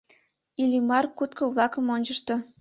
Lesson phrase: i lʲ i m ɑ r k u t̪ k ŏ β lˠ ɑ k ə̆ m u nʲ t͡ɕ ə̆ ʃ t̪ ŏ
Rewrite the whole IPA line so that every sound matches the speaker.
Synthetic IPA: i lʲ i m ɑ r k u t̪ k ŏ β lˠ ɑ k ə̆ m o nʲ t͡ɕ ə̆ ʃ t̪ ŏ